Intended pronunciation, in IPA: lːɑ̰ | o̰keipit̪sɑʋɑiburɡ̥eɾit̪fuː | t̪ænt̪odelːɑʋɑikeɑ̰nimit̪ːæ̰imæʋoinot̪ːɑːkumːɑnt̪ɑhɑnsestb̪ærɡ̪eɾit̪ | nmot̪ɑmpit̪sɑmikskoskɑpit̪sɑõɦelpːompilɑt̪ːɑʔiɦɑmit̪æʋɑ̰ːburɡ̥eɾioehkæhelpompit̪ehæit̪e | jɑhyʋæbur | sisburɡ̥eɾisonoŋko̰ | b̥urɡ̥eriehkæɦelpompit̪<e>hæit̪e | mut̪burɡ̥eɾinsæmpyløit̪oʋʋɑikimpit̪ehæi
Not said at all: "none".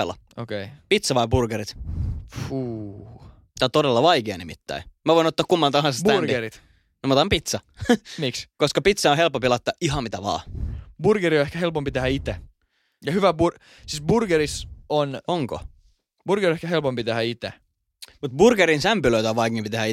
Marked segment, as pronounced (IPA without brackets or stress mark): e